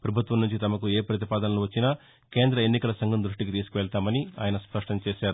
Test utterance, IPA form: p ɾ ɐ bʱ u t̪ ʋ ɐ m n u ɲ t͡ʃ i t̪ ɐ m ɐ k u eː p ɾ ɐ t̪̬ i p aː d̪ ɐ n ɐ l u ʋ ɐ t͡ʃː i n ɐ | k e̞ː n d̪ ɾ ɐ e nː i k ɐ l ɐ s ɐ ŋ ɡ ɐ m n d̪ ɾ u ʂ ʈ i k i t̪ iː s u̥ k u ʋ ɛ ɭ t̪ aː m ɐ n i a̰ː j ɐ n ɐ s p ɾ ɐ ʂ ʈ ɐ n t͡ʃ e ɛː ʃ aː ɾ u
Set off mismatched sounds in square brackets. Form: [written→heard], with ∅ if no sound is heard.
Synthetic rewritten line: p ɾ ɐ bʱ u t̪ ʋ ɐ m n u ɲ t͡ʃ i t̪ ɐ m ɐ k u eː p ɾ ɐ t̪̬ i p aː d̪ ɐ n ɐ l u ʋ ɐ t͡ʃː i n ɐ | k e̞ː n d̪ ɾ ɐ e nː i k ɐ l ɐ s ɐ ŋ ɡ ɐ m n d̪ ɾ u ʂ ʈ i k i t̪ iː s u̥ k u ʋ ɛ ɭ t̪ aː m ɐ n i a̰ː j ɐ n ɐ s p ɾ ɐ ʂ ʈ ɐ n t͡ʃ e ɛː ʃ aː ɾ u